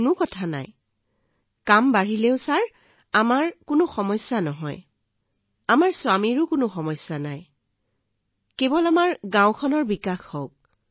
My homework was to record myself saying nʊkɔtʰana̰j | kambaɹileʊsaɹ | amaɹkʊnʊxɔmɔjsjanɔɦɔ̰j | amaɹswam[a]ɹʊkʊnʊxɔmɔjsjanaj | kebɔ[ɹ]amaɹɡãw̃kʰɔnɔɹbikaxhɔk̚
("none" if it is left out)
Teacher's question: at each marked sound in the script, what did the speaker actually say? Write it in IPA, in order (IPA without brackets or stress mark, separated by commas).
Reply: i, l